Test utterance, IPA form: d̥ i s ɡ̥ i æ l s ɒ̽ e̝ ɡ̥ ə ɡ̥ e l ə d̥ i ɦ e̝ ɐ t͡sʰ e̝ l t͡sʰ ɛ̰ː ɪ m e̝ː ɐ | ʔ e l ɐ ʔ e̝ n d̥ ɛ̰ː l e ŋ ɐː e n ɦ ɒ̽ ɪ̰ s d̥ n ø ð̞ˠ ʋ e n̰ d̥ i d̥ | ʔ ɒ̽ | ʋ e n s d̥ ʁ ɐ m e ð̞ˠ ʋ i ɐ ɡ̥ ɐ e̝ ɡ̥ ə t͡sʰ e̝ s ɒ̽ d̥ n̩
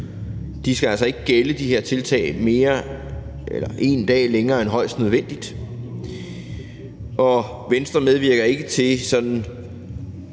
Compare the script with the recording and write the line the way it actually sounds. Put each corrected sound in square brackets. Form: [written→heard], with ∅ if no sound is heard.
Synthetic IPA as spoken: d̥ i s ɡ̥ [i→æ] æ l s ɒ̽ e̝ ɡ̥ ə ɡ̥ e l ə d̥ i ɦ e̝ ɐ t͡sʰ e̝ l t͡sʰ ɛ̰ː ɪ m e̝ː ɐ | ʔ e l ɐ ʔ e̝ n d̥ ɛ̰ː l e ŋ ɐː e n ɦ ɒ̽ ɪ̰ s d̥ n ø ð̞ˠ ʋ e n̰ d̥ i d̥ | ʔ ɒ̽ | ʋ e n s d̥ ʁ ɐ m e ð̞ˠ ʋ i ɐ ɡ̥ ɐ e̝ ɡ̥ ə t͡sʰ e̝ s ɒ̽ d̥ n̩